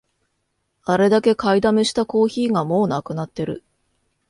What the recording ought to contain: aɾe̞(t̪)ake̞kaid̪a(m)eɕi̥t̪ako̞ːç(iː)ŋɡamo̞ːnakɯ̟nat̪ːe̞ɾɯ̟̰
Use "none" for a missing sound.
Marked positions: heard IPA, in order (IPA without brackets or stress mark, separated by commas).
d̪, m, iː